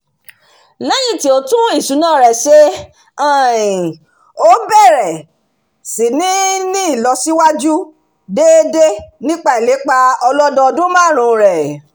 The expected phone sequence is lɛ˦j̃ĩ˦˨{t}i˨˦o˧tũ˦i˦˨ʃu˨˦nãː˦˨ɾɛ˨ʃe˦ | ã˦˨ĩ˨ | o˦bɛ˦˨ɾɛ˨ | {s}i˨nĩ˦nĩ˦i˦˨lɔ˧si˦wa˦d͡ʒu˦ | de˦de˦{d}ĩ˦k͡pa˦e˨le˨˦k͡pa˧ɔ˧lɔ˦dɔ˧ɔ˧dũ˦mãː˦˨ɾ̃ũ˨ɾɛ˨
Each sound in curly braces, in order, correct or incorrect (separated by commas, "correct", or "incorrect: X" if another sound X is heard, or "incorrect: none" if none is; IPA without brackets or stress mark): correct, correct, incorrect: n